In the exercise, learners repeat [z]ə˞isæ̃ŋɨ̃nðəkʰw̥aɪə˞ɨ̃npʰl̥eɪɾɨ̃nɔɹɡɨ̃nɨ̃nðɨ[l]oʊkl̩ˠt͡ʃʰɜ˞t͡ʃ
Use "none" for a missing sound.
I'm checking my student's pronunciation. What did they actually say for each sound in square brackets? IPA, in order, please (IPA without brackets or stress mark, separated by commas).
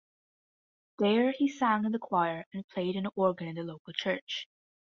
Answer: ð, l